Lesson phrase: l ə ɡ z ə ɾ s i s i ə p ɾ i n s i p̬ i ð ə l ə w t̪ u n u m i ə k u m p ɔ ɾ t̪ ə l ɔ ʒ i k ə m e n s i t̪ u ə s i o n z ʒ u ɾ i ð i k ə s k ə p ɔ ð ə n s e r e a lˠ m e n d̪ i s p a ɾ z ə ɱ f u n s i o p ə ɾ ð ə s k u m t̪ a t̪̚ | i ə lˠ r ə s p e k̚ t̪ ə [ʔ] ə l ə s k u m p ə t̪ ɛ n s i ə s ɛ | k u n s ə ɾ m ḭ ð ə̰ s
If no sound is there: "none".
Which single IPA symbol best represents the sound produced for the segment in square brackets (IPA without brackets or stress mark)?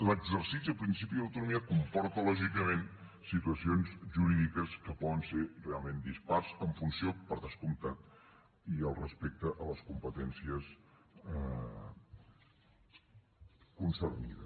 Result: ʔ